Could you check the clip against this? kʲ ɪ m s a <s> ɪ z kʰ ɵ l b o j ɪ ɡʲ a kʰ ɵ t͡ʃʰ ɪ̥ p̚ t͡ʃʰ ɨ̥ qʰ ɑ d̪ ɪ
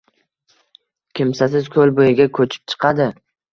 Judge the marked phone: correct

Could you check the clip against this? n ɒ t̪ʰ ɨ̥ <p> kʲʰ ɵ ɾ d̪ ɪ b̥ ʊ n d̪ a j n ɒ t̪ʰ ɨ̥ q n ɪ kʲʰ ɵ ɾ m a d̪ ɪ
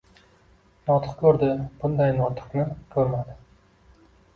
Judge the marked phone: incorrect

